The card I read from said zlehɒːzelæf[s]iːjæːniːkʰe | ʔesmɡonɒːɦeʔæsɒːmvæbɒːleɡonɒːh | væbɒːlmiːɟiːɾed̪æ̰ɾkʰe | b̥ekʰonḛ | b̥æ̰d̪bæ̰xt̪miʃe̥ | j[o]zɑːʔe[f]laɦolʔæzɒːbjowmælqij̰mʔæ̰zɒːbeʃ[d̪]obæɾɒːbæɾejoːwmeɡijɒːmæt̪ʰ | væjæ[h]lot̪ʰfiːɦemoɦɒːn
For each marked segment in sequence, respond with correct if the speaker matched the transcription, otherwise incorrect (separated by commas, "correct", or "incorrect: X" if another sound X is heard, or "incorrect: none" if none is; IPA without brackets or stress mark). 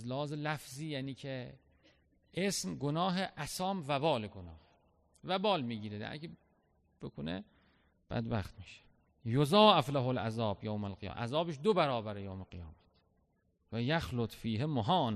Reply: incorrect: z, correct, correct, correct, incorrect: x